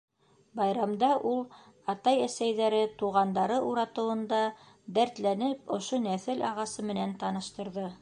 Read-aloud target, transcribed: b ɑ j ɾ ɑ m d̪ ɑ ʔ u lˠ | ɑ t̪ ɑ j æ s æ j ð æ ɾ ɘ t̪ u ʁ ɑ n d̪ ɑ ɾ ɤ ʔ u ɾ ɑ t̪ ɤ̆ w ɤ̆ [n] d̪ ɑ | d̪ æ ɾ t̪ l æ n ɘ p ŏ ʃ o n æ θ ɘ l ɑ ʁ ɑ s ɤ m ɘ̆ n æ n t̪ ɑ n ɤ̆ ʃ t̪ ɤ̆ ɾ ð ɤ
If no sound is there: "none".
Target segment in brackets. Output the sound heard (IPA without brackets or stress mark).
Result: n